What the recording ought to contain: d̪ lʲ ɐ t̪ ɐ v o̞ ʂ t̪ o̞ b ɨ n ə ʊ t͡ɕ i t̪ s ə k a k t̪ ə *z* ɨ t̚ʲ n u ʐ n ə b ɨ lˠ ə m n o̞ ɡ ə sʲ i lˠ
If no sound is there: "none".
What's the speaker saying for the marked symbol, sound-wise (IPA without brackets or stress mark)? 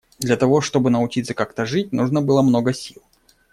ʐ